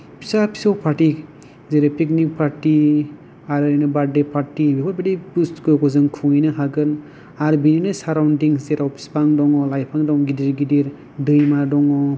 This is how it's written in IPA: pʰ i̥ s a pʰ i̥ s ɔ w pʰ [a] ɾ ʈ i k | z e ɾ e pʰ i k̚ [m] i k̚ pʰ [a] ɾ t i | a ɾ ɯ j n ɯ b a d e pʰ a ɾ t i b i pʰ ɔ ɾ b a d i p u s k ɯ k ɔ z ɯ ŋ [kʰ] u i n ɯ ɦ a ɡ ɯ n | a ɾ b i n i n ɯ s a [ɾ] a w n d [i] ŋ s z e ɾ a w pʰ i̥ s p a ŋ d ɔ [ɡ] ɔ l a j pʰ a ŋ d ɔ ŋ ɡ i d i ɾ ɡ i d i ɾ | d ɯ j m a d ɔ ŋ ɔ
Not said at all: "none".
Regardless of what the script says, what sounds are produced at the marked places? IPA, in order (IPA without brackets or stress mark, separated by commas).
a, n, a, kʰ, ɾ, i, ŋ